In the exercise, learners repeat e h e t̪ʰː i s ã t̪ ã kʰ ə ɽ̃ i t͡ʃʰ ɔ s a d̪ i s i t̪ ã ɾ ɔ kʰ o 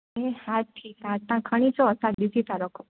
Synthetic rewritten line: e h a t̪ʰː i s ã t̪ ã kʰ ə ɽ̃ i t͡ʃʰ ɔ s a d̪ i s i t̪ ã ɾ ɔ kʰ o